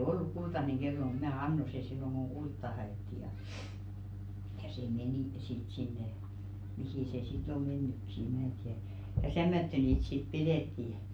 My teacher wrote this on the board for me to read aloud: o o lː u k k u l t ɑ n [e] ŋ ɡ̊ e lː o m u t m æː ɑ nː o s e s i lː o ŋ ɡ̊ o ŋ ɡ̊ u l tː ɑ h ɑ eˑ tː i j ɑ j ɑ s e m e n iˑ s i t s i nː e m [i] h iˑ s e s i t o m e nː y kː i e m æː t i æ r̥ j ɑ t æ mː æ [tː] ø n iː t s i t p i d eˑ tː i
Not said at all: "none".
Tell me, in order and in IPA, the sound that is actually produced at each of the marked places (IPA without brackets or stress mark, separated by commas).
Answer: e, i, tː